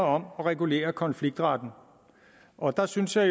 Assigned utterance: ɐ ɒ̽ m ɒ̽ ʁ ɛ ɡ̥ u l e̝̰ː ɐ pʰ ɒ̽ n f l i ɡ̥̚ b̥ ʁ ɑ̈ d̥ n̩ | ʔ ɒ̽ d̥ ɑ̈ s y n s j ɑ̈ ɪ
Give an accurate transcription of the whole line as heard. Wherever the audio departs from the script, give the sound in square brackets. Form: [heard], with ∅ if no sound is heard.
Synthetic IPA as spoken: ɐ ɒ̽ m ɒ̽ ʁ ɛ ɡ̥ u l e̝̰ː ɐ [kʰ] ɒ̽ n f l i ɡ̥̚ [d̥] ʁ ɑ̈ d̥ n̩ | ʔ ɒ̽ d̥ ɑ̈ s y n s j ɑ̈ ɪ